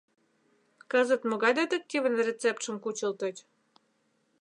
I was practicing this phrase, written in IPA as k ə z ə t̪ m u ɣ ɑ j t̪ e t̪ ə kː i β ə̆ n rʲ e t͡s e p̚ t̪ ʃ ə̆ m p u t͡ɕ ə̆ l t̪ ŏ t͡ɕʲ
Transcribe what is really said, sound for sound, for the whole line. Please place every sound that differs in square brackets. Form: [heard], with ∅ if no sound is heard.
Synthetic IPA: k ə z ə t̪ m [o] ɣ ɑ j [d̪] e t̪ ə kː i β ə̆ n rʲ e t͡s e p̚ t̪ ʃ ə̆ m [k] u t͡ɕ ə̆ l t̪ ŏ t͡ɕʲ